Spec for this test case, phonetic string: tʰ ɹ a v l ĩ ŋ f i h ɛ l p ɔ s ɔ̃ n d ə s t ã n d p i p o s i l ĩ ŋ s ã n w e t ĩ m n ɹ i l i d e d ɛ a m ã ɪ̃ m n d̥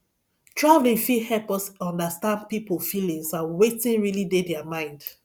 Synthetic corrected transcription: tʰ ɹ a v l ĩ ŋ f i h ɛ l p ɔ s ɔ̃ n d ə s t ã n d p i p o f i l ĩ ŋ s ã n w e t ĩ n ɹ i l i d e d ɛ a m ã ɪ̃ n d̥